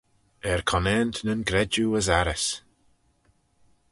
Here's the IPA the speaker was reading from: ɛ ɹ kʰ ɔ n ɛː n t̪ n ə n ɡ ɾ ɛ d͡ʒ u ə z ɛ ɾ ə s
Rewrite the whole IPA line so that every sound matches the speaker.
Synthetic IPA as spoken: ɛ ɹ kʰ ɔ n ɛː n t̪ n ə n ɡ ɾ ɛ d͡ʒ u ə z a ɾ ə s